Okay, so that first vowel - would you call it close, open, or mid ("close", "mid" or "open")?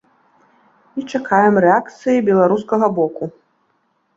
close